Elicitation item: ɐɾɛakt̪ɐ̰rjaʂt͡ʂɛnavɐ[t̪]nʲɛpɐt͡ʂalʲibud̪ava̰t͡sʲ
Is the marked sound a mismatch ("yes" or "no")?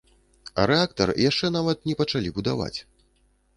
no